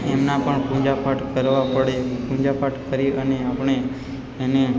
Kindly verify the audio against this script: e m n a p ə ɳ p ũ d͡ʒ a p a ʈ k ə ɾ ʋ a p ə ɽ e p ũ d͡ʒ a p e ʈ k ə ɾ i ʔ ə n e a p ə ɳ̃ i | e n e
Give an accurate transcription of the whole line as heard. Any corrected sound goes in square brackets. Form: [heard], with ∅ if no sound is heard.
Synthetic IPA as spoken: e m n a p ə ɳ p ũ d͡ʒ a p a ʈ k ə ɾ ʋ a p ə ɽ e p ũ d͡ʒ a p [a] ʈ k ə ɾ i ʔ ə n e a p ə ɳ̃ [e] | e n e